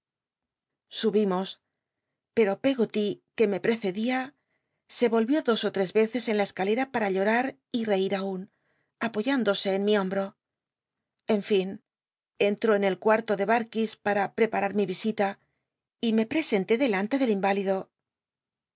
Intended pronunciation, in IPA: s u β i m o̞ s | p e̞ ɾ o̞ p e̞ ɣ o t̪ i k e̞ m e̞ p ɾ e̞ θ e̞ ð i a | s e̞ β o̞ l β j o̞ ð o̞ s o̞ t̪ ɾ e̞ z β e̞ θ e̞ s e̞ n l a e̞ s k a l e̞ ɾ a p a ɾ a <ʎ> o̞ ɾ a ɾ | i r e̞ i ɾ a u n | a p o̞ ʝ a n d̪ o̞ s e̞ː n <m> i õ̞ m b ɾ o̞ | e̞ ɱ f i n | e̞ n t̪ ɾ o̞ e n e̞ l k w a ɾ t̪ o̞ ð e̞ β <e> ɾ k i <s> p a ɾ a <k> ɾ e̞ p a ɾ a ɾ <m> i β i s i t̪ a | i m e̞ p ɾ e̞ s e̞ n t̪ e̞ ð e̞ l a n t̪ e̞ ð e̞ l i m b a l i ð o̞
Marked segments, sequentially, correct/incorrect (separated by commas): correct, correct, incorrect, correct, incorrect, correct